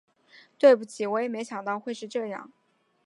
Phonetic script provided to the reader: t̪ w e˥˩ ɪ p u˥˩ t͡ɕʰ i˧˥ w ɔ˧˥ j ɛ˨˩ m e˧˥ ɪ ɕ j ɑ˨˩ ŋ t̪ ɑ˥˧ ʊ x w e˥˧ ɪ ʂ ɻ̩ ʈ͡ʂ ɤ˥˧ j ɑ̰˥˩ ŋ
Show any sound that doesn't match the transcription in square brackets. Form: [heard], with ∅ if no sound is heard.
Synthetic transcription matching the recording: t̪ w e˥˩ ɪ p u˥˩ t͡ɕʰ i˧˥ w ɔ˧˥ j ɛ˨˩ m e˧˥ ɪ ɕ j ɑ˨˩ ŋ t̪ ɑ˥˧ ʊ x w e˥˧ ɪ ʂ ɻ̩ ʈ͡ʂ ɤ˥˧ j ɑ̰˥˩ ŋ